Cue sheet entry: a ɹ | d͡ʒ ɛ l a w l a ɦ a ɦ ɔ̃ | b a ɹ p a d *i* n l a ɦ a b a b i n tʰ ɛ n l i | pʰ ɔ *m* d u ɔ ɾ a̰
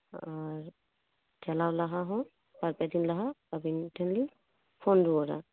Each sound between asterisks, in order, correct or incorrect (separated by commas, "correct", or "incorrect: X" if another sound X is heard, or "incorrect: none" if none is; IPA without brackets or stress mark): correct, incorrect: n